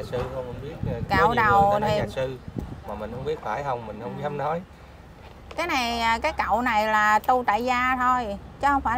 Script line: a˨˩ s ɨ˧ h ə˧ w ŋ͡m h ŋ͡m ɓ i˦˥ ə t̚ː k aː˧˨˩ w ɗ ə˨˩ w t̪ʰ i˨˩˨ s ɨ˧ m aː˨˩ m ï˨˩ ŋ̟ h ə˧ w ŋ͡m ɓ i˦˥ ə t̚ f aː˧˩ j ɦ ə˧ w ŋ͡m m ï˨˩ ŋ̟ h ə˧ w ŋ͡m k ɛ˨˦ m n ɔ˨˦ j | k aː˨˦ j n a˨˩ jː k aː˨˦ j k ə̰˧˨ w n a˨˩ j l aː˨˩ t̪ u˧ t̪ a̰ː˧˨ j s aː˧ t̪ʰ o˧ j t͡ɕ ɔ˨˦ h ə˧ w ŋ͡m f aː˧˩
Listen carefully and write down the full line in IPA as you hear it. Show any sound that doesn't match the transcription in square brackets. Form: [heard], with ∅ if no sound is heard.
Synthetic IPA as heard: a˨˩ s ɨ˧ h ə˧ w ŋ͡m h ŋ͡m ɓ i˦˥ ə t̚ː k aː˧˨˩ w ɗ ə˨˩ w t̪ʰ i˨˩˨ s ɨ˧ m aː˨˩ m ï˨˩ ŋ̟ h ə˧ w ŋ͡m ɓ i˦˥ ə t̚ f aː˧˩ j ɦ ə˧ w ŋ͡m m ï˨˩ ŋ̟ h ə˧ w ŋ͡m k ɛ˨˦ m n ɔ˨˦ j | k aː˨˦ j n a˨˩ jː k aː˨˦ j k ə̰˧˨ w n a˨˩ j l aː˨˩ t̪ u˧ t̪ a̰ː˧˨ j [z] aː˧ t̪ʰ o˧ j t͡ɕ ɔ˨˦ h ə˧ w ŋ͡m f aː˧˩